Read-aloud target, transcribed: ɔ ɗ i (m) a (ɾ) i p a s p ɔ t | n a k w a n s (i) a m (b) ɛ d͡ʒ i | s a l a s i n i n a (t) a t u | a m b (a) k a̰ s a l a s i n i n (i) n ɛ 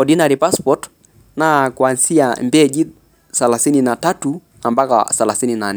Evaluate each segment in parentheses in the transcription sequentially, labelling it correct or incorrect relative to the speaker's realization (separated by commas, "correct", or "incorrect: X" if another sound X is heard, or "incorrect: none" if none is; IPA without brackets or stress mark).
incorrect: n, correct, correct, correct, correct, correct, incorrect: a